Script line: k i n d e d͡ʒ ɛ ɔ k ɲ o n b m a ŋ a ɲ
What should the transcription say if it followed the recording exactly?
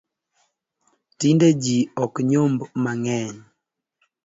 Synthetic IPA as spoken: t i n d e d͡ʒ i ɔ k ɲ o m b m a ŋ ɛ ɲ